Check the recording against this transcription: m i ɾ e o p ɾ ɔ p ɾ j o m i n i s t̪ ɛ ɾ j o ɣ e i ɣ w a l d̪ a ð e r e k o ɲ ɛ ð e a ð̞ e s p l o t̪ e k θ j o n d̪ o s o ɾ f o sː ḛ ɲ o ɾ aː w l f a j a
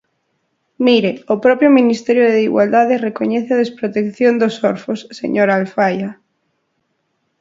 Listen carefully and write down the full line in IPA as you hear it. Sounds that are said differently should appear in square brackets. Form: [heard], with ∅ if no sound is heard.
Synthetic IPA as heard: m i ɾ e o p ɾ ɔ p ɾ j o m i n i s t̪ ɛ ɾ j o [ð] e i ɣ w a l d̪ a ð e r e k o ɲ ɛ [θ] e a ð̞ e s p [ɾ] o t̪ e k θ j o n d̪ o s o ɾ f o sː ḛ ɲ o ɾ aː [∅] l f a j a